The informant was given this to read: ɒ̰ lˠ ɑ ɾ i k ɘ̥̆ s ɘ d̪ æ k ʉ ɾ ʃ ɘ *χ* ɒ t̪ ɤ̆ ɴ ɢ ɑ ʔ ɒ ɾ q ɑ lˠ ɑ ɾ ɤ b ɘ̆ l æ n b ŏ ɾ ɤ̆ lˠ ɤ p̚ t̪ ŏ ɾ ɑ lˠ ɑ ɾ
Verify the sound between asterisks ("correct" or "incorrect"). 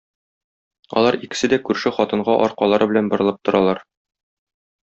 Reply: correct